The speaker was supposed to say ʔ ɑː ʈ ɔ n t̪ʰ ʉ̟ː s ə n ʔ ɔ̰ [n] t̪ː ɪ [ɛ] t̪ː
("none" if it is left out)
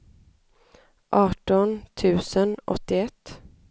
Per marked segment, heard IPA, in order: none, ɛ

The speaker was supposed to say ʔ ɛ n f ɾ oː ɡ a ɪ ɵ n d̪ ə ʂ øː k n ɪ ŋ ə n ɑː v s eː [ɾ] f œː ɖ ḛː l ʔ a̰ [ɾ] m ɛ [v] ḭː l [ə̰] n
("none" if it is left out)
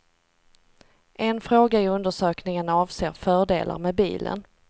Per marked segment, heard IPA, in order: ɾ, ɾ, b, ə̰

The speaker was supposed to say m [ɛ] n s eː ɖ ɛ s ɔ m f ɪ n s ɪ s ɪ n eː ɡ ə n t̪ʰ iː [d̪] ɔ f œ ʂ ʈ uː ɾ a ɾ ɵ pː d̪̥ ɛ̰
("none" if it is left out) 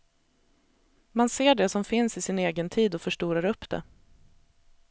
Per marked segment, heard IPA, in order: a, d̪

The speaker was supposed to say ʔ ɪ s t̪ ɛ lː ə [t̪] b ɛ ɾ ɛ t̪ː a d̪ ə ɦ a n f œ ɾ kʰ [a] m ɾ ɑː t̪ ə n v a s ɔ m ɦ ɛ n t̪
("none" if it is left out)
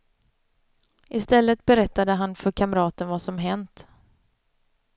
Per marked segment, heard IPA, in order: t̪, a

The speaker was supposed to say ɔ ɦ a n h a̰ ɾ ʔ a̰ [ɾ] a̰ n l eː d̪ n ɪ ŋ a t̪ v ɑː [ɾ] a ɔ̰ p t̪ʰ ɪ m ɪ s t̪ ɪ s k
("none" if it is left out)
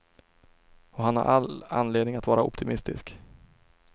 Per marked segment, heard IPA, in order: l, ɾ

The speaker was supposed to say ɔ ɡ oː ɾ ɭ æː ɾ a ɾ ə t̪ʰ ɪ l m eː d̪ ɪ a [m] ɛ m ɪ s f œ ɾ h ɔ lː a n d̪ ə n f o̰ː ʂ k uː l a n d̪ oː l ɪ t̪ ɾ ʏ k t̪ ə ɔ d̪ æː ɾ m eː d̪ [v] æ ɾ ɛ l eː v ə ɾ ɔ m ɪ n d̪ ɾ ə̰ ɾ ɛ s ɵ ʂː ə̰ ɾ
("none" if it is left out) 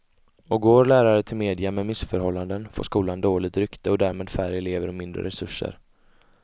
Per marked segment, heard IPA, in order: m, f

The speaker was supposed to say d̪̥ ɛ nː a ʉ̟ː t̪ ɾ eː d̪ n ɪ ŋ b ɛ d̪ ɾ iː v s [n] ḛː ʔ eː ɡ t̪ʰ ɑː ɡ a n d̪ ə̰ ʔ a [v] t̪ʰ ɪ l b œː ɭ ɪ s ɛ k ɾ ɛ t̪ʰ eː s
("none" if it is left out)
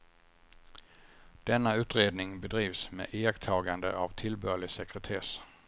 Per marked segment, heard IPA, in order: m, v

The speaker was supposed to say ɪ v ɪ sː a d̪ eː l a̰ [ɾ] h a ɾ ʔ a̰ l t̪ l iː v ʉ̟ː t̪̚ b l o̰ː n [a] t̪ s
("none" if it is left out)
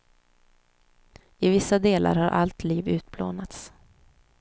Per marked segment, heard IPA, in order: ɾ, a

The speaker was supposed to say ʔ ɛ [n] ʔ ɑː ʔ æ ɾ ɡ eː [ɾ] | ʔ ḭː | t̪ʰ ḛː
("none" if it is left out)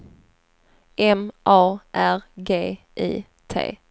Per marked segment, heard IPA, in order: m, none

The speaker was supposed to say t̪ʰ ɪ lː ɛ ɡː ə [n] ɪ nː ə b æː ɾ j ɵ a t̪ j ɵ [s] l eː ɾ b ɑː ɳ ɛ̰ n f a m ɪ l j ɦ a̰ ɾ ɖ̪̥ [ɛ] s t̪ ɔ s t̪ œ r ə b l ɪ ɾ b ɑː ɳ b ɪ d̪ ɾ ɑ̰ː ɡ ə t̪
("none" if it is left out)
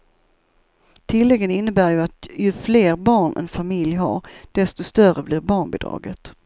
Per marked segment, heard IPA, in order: n, f, ɛ

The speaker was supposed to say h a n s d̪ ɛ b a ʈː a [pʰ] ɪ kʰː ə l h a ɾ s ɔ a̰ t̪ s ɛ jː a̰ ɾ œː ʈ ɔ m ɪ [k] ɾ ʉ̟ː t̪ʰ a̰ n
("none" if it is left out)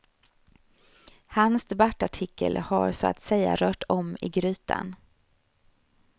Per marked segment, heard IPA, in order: ʈʰ, ɡ

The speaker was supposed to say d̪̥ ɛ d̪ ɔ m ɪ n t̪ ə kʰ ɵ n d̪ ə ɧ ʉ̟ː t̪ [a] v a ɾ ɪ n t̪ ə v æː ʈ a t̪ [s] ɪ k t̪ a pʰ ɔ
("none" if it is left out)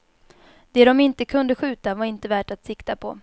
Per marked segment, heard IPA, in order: a, s

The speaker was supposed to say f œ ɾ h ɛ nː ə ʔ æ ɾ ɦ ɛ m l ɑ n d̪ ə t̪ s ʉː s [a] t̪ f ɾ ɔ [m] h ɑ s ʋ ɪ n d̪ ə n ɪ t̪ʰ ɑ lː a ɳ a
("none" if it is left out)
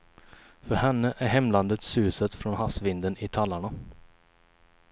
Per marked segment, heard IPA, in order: ə, n

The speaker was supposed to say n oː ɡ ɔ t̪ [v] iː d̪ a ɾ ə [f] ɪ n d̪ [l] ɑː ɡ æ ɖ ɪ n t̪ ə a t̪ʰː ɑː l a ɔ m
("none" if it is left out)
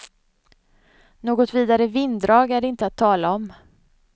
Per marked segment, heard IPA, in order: v, v, ɾ

